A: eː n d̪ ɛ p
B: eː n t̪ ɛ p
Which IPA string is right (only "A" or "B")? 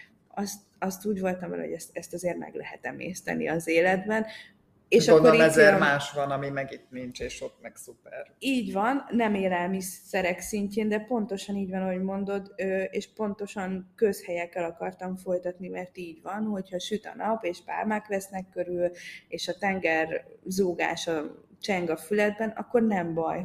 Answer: A